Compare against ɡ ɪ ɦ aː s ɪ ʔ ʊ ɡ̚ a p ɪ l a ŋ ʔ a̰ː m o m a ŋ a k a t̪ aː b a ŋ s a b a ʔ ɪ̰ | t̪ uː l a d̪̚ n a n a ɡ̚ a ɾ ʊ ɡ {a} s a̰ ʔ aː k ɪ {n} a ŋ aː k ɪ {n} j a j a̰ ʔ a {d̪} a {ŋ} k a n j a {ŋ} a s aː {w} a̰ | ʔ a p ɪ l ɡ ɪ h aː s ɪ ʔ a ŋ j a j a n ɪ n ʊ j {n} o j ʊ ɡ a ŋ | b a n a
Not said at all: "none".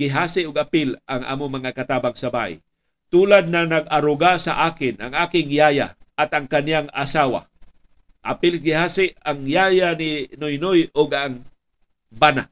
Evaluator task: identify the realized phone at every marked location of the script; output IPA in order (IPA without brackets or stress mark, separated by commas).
a, n, ŋ, t̪, ŋ, ŋ, w, n